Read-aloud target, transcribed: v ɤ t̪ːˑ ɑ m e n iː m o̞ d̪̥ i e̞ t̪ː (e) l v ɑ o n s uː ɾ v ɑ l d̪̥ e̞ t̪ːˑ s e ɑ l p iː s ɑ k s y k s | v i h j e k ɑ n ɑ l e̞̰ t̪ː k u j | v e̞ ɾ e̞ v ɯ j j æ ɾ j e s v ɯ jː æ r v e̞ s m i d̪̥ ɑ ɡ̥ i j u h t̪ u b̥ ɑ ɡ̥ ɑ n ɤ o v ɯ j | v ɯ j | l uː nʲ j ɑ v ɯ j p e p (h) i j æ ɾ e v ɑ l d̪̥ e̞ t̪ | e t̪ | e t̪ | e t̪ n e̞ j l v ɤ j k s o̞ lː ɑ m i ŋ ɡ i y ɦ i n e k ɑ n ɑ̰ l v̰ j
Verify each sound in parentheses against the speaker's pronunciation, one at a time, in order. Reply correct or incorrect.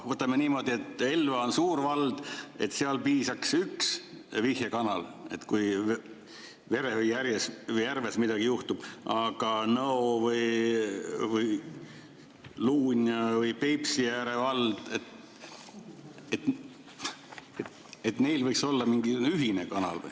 correct, incorrect

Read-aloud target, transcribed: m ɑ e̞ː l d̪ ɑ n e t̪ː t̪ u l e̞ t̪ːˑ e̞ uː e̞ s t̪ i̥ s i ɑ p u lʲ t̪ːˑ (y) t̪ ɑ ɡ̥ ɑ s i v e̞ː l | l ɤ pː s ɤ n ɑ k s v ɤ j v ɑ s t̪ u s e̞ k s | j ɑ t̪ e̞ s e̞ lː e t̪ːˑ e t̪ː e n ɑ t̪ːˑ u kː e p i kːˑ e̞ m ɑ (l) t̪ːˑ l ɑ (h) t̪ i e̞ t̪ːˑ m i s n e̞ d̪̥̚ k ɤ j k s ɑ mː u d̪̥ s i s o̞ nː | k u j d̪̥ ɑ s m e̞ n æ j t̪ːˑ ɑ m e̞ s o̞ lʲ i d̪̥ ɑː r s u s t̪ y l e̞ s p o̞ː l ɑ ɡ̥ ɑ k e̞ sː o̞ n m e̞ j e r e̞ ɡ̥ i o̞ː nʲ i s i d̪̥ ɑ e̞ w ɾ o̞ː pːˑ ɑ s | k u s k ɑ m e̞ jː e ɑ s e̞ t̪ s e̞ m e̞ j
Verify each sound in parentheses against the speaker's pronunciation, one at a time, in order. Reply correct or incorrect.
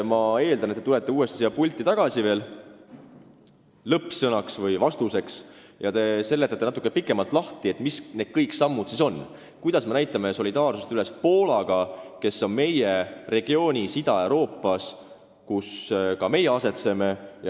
incorrect, correct, correct

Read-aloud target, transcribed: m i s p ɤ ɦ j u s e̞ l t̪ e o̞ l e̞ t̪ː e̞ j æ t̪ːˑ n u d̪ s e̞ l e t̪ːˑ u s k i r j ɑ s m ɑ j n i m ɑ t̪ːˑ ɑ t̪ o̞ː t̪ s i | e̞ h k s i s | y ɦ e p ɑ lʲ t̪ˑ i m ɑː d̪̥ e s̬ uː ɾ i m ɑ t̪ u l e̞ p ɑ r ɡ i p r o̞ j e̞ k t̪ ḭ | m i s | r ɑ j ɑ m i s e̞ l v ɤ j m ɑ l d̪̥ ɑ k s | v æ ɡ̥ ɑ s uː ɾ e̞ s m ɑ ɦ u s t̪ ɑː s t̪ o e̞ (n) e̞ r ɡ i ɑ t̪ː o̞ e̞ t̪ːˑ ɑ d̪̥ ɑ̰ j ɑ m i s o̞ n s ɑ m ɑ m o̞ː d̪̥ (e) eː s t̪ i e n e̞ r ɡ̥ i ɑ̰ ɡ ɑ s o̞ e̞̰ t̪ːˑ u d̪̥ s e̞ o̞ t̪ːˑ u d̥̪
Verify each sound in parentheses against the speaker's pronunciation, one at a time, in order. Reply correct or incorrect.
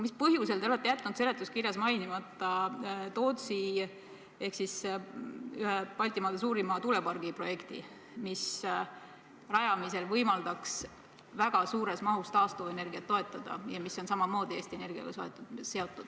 correct, incorrect

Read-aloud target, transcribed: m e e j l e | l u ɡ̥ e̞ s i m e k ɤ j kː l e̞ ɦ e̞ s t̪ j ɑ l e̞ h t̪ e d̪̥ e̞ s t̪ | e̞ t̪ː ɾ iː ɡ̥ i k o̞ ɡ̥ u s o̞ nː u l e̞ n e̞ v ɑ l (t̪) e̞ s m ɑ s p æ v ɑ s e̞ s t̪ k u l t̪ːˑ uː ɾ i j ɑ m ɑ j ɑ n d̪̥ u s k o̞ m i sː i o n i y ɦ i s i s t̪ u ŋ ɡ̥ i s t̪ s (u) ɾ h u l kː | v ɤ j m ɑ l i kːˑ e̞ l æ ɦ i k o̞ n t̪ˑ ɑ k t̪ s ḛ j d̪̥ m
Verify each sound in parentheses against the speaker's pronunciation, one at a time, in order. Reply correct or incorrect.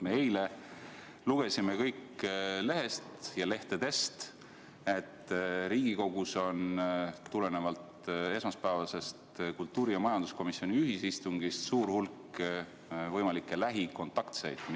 correct, incorrect

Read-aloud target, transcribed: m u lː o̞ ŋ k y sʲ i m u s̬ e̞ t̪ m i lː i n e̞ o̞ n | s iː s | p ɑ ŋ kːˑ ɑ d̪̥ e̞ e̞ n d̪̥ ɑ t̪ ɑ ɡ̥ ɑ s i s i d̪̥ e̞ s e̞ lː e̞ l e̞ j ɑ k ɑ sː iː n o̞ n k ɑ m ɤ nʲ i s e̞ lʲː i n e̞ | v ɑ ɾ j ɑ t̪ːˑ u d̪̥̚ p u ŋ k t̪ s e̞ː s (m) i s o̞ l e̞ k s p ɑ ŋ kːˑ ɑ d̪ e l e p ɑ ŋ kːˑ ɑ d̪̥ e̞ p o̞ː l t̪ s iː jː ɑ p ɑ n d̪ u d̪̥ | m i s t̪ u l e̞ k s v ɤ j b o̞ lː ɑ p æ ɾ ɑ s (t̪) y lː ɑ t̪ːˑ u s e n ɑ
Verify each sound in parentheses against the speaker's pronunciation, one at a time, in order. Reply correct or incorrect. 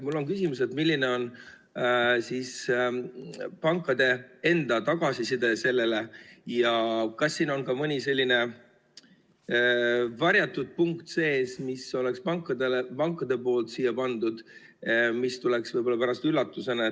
correct, correct

